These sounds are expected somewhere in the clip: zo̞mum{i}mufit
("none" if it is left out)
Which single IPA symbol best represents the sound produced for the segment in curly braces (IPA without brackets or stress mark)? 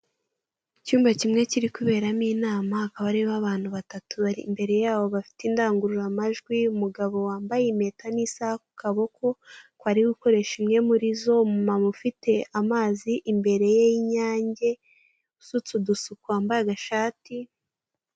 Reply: a